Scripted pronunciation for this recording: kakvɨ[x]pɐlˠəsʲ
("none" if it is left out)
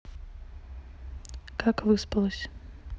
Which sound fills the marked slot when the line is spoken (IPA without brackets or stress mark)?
s